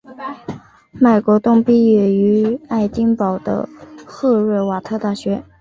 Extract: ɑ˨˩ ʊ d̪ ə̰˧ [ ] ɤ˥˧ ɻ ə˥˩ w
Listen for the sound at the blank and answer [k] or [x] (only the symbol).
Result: x